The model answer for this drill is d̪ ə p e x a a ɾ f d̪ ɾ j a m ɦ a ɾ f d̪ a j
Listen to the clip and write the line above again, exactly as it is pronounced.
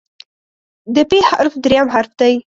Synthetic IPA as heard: d̪ ə p e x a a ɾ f d̪ ɾ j a m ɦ a ɾ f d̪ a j